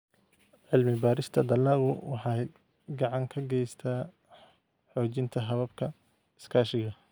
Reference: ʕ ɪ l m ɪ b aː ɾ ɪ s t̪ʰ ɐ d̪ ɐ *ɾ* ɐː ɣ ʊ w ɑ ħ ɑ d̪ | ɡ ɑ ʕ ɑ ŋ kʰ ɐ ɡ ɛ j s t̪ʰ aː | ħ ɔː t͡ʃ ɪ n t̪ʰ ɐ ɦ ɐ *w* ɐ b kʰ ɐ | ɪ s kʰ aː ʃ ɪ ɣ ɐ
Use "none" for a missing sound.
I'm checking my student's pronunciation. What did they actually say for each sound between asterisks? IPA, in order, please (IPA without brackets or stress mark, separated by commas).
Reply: l, β